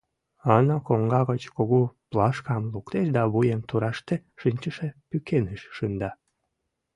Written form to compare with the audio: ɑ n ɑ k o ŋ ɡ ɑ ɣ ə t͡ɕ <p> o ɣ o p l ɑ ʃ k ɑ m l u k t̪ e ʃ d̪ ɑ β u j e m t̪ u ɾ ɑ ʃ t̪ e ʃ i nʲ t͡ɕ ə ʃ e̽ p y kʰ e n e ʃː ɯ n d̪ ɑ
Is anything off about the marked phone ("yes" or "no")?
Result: yes